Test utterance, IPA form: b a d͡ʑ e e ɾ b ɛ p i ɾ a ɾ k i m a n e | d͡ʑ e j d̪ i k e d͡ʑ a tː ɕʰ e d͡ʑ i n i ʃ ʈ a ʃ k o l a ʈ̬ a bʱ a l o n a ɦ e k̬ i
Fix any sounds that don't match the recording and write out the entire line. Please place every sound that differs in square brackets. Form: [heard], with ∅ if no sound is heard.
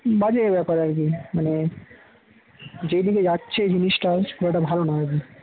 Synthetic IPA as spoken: b a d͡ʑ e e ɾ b ɛ p [a] ɾ a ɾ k i m a n e | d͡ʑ e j d̪ i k e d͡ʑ a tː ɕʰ e d͡ʑ i n i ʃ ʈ a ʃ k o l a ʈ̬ a bʱ a l o n a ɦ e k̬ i

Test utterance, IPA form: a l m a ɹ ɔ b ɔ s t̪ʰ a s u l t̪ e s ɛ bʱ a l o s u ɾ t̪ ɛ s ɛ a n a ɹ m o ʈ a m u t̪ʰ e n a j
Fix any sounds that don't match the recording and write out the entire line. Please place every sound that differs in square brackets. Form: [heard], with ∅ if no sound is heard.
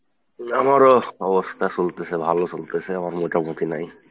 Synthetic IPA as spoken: a [∅] m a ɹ ɔ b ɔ s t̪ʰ a s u l t̪ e s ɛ bʱ a l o s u [l] t̪ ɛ s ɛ a [m] a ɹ m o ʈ a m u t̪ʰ [i] n a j

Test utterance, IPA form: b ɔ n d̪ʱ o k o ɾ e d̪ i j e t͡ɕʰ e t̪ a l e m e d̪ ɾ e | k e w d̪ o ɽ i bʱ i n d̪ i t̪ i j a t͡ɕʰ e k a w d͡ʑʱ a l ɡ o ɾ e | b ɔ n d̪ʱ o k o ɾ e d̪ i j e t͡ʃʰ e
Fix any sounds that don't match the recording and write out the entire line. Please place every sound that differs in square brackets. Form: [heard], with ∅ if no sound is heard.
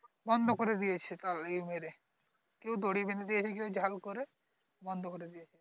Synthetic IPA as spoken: b ɔ n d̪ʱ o k o ɾ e d̪ i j e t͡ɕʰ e t̪ a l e m e [∅] ɾ e | k e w d̪ o ɽ i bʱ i n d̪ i [d̪] i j [e] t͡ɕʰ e k [e] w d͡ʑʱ a l [k] o ɾ e | b ɔ n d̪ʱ o k o ɾ e d̪ i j e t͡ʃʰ e

